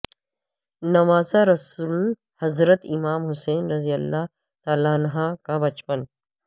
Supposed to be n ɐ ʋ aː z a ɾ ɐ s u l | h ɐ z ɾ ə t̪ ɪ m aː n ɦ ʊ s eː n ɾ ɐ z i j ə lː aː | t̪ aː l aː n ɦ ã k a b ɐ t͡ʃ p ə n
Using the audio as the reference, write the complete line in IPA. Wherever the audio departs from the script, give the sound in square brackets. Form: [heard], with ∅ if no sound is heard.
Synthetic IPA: n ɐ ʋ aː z a ɾ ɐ s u l | h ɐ z ɾ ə t̪ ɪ m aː [m] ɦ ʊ s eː n ɾ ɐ z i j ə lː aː | t̪ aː l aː n ɦ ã k a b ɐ t͡ʃ p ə n